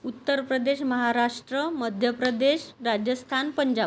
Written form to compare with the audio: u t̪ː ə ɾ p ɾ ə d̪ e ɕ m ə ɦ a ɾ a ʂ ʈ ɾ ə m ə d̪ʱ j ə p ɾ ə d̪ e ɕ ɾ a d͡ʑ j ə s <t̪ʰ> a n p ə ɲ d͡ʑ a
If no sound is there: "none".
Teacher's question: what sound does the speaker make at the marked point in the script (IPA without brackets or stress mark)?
t̪ʰ